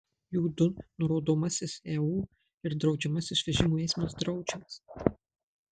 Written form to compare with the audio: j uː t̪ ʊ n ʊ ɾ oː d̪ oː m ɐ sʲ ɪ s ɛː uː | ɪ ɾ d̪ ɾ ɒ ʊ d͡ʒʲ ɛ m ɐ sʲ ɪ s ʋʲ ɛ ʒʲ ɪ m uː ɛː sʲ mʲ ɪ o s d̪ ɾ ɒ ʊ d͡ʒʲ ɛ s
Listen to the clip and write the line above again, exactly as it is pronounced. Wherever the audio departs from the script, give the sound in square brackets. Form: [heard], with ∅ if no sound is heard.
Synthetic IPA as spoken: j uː [d̪] ʊ n ʊ ɾ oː d̪ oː m ɐ sʲ ɪ s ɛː uː | ɪ ɾ d̪ ɾ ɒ ʊ d͡ʒʲ ɛ m ɐ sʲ ɪ s ʋʲ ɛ ʒʲ ɪ m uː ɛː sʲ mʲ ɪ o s d̪ ɾ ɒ ʊ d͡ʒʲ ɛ s